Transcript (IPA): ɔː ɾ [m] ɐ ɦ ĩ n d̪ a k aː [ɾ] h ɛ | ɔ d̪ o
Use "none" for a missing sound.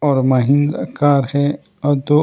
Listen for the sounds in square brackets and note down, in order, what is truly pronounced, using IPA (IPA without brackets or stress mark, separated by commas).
m, ɾ